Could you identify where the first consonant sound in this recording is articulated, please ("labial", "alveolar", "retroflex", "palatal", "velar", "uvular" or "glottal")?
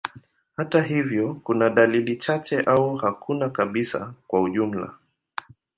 glottal